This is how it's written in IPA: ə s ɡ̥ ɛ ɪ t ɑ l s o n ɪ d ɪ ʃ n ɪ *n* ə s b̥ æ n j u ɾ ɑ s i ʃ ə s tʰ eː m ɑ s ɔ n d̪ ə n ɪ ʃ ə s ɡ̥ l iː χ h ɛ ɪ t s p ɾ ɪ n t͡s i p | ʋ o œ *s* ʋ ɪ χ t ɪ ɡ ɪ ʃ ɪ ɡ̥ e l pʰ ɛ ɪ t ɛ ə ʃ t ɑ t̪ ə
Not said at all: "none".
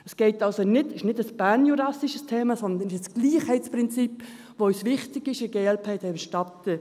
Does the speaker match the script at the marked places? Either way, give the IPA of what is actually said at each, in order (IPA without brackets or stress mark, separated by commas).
d, s